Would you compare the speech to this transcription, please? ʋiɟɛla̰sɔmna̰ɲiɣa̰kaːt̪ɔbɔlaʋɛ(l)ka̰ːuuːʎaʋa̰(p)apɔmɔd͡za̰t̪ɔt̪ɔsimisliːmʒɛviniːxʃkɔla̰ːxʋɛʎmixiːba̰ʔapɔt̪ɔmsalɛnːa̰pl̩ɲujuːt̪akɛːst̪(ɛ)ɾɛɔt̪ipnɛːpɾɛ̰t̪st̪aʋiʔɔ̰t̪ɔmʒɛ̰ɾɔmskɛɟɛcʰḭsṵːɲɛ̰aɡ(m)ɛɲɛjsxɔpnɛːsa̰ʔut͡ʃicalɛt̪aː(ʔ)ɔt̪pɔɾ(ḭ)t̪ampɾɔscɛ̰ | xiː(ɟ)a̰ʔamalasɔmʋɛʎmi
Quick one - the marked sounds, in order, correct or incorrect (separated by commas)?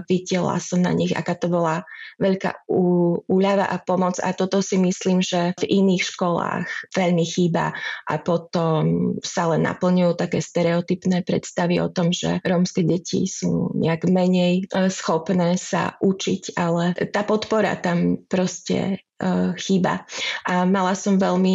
incorrect, incorrect, correct, correct, incorrect, incorrect, incorrect